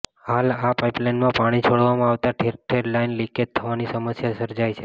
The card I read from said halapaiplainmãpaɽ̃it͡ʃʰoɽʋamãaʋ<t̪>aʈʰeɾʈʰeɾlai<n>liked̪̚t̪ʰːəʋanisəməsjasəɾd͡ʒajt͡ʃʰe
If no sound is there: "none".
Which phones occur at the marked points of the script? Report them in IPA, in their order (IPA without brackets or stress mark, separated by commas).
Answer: t̪, n